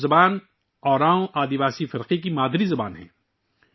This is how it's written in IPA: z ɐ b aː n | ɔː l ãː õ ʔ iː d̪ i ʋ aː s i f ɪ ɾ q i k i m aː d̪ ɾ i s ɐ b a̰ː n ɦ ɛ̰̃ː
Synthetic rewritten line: z ɐ b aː n | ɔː ɾ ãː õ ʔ aː d̪ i ʋ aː s i f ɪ ɾ q i k i m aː d̪ ɾ i z ɐ b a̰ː n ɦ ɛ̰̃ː

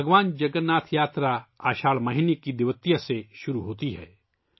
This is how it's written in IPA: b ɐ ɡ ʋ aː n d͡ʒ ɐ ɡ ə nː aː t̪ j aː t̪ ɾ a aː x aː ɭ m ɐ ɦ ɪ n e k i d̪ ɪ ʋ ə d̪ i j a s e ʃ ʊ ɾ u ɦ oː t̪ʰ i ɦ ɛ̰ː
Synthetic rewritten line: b ɐ ɡ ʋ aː n d͡ʒ ɐ ɡ ə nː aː t̪ʰ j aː t̪ ɾ a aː ʃ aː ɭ m ɐ ɦ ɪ n e k i d̪ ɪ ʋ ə t̪ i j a s e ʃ ʊ ɾ u ɦ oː t̪ i ɦ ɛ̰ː

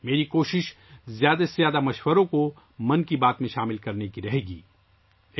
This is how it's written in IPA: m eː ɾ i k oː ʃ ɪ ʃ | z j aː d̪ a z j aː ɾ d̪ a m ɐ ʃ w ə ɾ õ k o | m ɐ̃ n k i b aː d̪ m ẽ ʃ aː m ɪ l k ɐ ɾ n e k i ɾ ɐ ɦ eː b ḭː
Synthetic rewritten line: m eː ɾ i k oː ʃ ɪ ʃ | z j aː d̪ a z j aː d̪ a m ɐ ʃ w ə ɾ õ k o | m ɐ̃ n k i b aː t̪ m ẽ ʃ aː m ɪ l k ɐ ɾ n e k i ɾ ɐ ɦ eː ɡ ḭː

